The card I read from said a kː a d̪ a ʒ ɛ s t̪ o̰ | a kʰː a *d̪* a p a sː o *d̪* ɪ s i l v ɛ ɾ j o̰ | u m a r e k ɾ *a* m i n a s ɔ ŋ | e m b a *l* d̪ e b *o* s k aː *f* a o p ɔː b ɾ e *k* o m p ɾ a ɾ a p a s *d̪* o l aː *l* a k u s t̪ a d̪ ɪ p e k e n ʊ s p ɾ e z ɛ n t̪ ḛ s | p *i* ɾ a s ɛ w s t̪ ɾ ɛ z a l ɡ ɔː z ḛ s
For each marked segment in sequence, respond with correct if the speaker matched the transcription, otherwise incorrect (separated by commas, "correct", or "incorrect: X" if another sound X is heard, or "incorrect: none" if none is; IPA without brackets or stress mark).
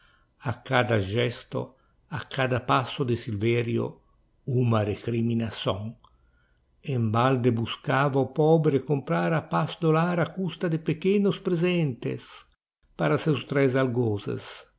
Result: correct, correct, incorrect: i, correct, incorrect: u, incorrect: v, correct, correct, incorrect: ɾ, incorrect: a